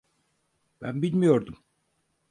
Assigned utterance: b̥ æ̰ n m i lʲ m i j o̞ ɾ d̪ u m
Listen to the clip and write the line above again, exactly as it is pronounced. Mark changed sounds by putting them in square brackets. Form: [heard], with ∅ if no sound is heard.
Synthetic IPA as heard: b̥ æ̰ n [b] i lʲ m i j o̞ ɾ d̪ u m